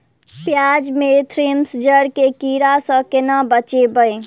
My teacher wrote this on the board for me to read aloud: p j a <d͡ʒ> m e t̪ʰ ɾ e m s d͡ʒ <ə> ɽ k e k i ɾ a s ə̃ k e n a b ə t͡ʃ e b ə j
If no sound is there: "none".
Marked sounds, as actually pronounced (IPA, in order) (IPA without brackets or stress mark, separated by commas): d͡ʒ, ə